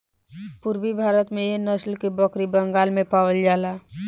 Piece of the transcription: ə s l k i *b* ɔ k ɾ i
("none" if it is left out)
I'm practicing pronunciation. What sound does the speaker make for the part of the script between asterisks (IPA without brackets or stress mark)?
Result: b